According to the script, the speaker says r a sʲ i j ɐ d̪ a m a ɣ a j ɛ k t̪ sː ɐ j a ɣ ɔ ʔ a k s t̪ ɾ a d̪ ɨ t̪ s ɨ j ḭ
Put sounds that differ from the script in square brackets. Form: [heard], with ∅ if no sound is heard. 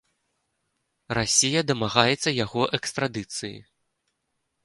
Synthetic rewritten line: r a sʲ i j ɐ d̪ [ɐ] m a ɣ a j ɛ [∅] t̪ sː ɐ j a ɣ ɔ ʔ [ɛ] k s t̪ ɾ a d̪ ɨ t̪ s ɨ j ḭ